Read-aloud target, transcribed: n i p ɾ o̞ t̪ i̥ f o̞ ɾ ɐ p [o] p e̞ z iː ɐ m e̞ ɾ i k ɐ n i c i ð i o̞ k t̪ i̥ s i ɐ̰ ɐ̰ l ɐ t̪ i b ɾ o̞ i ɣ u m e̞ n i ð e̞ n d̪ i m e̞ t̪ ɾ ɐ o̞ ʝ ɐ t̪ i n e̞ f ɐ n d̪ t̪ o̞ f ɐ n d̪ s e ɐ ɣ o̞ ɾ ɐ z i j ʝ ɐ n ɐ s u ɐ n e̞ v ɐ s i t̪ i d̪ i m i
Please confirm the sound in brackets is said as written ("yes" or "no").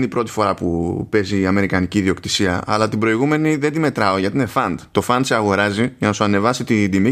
no